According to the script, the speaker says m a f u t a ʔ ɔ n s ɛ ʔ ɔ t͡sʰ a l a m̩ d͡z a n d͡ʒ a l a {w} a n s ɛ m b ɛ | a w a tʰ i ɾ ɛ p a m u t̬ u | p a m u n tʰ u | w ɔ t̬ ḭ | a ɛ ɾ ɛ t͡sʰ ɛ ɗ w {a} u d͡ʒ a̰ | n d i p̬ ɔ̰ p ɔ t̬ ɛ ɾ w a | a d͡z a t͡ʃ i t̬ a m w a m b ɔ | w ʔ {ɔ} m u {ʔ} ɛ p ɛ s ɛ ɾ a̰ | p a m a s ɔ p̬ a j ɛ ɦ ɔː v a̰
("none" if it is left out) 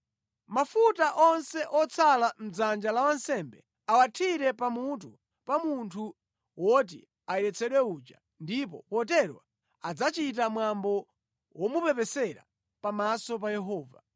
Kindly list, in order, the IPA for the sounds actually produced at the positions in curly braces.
w, ɛ, ɔ, p

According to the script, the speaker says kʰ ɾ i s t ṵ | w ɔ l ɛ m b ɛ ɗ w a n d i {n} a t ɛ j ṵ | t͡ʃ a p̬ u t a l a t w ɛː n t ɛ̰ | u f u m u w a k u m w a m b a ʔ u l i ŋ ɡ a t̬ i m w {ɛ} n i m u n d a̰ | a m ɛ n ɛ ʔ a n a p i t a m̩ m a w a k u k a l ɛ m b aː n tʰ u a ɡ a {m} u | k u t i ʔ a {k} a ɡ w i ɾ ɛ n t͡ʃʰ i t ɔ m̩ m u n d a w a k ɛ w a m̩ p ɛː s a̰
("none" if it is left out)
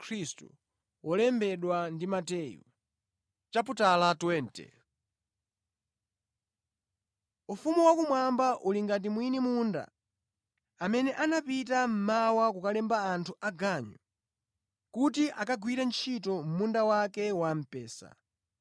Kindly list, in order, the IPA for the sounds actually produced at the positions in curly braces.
m, i, ɲ, k

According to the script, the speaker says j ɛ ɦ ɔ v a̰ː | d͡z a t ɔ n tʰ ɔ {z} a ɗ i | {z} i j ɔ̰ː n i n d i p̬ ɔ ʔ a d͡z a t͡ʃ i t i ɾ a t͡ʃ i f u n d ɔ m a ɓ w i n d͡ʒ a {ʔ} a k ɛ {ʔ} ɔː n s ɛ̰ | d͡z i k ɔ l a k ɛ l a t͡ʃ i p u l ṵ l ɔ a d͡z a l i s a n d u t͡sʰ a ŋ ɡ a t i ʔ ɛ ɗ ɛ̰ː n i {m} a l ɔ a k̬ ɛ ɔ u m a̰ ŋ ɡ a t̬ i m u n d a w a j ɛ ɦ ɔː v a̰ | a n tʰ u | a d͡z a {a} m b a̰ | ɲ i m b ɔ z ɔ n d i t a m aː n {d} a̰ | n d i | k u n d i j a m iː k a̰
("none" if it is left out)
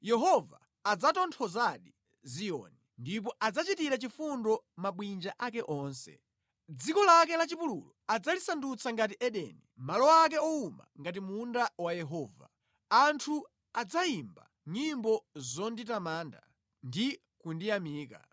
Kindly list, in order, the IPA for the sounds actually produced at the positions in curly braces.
z, z, ʔ, ʔ, m, i, d

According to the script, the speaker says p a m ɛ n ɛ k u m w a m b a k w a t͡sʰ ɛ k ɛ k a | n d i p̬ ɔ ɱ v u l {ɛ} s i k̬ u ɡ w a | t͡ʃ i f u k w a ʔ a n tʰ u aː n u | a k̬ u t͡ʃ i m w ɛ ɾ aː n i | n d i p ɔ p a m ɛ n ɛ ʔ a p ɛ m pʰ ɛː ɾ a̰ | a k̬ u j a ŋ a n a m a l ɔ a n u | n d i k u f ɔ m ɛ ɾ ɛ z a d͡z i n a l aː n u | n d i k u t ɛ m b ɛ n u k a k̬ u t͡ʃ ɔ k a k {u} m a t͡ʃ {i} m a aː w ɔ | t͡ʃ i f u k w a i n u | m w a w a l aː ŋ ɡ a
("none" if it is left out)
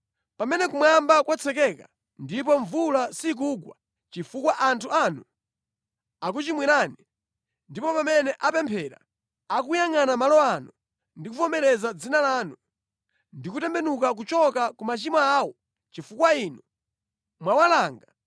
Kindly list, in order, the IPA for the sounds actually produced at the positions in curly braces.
a, u, i

